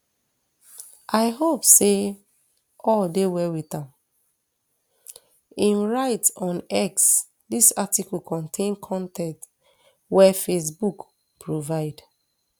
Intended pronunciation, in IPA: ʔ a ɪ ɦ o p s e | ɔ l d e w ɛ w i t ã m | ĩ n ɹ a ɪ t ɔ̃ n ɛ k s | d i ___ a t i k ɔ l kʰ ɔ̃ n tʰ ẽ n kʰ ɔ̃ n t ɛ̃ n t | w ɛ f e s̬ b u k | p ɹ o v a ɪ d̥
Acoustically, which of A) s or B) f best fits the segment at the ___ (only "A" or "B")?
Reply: A